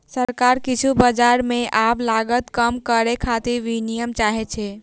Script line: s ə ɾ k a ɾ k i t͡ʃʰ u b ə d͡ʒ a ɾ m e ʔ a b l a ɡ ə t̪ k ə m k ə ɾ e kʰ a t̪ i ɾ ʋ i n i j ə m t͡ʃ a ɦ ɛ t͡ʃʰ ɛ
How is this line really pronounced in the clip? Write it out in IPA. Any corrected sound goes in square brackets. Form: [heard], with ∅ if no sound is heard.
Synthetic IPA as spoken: s ə ɾ k a ɾ k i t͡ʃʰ u b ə d͡ʒ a ɾ m e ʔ a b l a ɡ ə t̪ k ə m k ə ɾ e kʰ a t̪ i ɾ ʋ i n i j ə m t͡ʃ a ɦ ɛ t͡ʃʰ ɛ